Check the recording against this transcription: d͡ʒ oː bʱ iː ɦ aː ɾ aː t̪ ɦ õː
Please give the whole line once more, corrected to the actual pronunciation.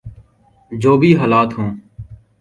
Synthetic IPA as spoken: d͡ʒ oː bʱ iː ɦ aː l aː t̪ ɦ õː